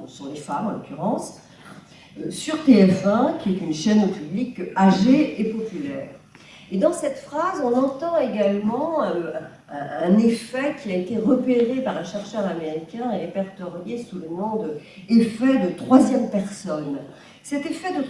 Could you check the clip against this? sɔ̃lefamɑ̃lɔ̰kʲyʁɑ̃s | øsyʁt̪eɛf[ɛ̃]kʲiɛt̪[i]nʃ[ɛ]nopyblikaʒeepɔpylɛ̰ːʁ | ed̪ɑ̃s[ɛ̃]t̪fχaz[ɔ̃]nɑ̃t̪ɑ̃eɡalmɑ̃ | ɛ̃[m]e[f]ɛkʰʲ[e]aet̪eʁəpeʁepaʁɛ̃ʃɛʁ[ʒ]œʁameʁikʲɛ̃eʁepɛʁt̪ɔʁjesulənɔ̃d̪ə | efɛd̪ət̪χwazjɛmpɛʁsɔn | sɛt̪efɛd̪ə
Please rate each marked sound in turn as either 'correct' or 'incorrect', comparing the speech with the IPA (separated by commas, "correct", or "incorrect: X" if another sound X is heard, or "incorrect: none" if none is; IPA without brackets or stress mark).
correct, incorrect: y, correct, incorrect: ɛ, correct, incorrect: n, correct, incorrect: i, incorrect: ʃ